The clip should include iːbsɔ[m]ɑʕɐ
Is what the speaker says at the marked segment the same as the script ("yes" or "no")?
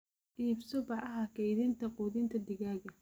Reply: no